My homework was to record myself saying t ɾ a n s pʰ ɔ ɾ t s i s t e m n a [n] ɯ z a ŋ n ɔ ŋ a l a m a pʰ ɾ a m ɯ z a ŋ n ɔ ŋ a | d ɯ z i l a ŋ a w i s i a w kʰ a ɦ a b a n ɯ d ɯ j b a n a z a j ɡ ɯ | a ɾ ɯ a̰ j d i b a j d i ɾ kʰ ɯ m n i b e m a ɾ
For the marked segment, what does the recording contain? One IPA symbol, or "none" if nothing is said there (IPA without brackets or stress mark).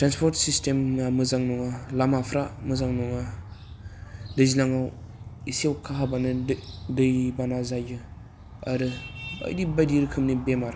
m